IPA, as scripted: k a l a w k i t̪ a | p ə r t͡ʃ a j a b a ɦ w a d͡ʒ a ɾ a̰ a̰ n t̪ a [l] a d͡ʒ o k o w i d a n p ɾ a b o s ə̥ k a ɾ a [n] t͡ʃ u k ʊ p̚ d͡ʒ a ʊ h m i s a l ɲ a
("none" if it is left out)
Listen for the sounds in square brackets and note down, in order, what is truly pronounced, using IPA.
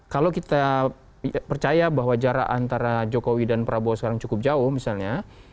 ɾ, ŋ

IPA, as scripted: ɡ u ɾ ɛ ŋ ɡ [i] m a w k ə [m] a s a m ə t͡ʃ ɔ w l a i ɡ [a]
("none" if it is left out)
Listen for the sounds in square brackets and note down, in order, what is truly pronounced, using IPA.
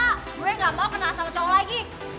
a, n, i

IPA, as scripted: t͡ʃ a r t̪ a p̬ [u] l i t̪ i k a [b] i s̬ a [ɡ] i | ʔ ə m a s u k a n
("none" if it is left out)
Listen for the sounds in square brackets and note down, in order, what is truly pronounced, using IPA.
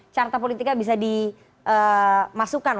o, b, d

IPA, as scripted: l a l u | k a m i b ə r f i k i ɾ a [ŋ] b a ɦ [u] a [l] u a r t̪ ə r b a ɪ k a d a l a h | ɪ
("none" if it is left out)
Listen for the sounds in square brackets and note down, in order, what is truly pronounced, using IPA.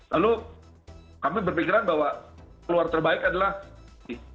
n, w, l

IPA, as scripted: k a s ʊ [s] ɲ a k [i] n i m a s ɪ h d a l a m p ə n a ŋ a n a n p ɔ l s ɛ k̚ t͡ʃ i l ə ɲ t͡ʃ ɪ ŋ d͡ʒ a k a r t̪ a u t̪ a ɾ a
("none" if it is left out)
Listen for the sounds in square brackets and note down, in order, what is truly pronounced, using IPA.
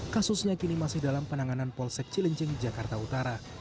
s, i

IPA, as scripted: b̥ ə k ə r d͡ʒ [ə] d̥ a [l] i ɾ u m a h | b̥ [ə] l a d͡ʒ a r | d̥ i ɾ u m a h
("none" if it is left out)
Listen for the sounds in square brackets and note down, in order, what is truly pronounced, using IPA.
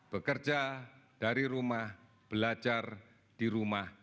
a, ɾ, ə

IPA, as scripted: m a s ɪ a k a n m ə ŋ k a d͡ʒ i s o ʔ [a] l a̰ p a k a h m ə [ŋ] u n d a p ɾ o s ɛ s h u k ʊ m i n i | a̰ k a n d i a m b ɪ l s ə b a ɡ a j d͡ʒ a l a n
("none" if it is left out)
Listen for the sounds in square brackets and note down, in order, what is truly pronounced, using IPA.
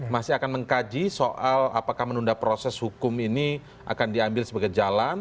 a, n

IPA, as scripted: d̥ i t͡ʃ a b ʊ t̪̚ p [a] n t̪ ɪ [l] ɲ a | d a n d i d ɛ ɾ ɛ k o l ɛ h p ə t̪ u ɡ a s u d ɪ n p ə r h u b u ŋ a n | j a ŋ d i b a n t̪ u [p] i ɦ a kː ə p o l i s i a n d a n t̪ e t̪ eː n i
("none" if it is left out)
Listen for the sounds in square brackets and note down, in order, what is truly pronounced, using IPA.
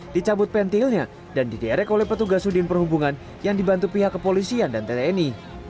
ɛ, l, p

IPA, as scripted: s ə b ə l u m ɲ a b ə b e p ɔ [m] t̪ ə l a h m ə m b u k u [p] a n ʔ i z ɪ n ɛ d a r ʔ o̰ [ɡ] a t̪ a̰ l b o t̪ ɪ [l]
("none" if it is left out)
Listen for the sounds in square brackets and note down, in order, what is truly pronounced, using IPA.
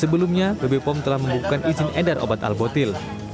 m, k, b, l

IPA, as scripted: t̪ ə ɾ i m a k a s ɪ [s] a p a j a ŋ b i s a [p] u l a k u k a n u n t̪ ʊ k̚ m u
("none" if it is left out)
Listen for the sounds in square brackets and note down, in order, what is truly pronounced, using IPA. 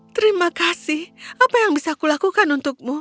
h, k

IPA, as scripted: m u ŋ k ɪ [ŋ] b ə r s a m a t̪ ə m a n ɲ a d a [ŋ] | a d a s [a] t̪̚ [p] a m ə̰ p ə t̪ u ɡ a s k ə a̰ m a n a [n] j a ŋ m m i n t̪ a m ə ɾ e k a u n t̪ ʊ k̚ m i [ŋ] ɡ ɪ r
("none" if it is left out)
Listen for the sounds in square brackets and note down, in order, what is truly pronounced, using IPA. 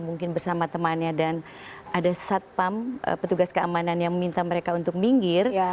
n, n, a, p, n, ŋ

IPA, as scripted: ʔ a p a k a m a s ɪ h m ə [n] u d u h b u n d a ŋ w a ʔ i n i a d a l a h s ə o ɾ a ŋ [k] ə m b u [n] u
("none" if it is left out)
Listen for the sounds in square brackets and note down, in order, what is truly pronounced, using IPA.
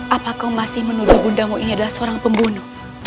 n, p, n

